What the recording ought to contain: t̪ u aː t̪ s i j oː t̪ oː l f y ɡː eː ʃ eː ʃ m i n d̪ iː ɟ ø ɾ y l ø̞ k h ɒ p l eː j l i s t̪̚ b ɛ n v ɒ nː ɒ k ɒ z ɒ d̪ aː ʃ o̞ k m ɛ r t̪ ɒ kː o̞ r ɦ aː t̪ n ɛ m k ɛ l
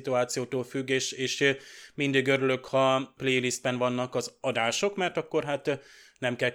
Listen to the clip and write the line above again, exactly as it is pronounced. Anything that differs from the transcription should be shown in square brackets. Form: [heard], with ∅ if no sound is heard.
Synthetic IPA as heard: t̪ u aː t̪ s i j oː t̪ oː l f y ɡː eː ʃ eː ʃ m i n d̪ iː [ɡ] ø ɾ y l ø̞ k h ɒ p l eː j l i s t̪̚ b ɛ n v ɒ nː ɒ k ɒ z ɒ d̪ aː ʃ o̞ k m ɛ r t̪ ɒ kː o̞ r ɦ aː t̪ n ɛ m k ɛ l